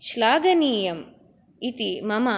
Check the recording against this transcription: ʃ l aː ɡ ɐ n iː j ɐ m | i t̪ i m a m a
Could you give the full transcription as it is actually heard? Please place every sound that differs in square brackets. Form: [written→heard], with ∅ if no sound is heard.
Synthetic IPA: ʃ l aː ɡ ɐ n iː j ɐ m | i t̪ i m [a→ɐ] m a